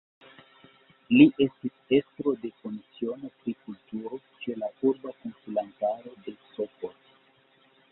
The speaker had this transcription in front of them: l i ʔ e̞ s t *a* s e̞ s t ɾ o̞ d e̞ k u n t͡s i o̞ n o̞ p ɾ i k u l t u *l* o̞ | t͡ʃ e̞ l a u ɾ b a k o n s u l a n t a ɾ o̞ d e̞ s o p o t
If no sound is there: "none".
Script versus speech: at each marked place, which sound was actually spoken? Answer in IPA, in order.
i, ɾ

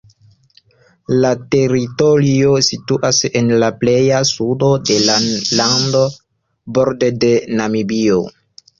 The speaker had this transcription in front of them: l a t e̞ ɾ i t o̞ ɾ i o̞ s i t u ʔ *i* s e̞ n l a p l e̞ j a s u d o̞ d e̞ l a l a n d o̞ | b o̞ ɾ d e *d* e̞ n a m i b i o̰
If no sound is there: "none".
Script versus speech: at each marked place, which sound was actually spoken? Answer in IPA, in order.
a, d

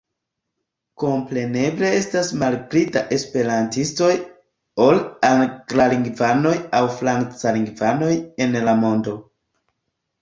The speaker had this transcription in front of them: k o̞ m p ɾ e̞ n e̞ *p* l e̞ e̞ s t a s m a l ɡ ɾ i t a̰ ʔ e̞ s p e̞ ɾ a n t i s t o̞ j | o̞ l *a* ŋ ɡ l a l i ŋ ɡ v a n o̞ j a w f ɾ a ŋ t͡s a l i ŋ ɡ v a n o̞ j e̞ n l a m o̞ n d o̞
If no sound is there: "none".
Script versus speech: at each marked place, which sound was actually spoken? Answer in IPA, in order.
b, a

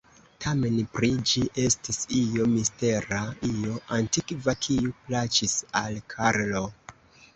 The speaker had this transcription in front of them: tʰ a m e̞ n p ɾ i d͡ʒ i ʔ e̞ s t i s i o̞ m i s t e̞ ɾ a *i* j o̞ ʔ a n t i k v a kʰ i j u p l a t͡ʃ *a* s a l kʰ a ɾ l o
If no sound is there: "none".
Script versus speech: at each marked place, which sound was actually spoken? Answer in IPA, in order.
i, i

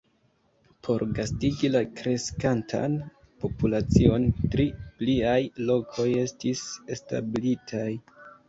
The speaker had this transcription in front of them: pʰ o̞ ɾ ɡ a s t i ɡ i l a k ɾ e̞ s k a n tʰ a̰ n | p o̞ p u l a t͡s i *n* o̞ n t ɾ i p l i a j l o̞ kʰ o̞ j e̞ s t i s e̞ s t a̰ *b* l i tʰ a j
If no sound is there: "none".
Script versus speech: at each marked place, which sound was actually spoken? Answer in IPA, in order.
none, b

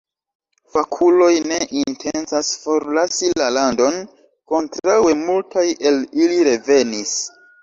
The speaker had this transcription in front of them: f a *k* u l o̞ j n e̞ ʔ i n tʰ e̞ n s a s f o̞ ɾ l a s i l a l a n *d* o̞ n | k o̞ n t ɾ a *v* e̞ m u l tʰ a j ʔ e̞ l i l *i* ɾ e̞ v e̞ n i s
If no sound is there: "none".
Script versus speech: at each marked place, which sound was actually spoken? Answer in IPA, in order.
kʰ, d, w, i

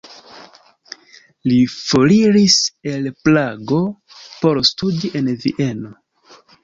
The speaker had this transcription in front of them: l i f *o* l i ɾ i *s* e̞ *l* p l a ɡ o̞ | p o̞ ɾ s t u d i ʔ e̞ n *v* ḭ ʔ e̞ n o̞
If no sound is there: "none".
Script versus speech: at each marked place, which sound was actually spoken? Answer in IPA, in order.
o, s, l, v

